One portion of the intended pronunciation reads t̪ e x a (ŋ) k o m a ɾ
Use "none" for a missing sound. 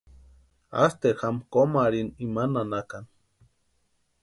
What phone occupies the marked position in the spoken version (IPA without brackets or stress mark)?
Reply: m